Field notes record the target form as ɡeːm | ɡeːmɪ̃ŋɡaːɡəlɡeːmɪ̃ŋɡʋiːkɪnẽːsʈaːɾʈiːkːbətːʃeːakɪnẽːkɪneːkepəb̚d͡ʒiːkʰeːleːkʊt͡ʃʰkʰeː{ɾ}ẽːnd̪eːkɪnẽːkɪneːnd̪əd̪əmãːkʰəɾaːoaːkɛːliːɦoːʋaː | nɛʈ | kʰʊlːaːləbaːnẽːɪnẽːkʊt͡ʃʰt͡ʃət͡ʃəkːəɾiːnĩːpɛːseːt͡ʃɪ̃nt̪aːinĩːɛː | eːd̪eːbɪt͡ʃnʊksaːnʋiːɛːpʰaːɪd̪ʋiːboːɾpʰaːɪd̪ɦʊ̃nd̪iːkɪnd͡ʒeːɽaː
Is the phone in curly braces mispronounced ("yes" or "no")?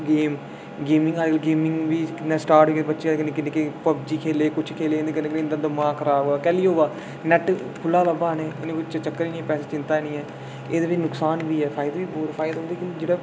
yes